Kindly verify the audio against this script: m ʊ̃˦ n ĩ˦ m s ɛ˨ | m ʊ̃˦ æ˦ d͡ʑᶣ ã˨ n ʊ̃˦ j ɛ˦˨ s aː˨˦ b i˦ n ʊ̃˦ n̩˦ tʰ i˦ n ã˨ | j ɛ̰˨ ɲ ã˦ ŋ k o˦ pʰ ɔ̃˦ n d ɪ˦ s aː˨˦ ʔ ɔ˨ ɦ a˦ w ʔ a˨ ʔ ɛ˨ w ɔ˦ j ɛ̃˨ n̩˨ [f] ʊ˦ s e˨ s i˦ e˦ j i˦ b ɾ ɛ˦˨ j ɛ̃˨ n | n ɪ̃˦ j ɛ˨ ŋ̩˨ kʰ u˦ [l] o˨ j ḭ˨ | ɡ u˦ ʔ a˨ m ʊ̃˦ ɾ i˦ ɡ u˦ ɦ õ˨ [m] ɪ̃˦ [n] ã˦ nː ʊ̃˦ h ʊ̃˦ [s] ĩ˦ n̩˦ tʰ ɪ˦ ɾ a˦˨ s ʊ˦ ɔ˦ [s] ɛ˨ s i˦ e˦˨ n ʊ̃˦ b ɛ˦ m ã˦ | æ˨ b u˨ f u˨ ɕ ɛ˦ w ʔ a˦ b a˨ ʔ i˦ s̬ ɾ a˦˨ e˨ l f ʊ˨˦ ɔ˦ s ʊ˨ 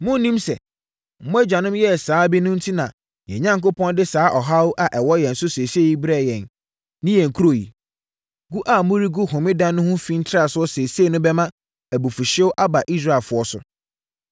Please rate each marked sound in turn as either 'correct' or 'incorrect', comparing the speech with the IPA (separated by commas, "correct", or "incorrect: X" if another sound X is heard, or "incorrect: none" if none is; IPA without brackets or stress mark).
incorrect: s, incorrect: ɾ, correct, incorrect: d, incorrect: f, correct